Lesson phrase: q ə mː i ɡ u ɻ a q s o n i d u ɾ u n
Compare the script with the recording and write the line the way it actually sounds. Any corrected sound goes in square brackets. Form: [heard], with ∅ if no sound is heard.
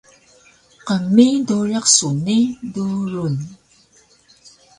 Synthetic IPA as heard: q ə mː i [d] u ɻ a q s [u] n i d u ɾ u n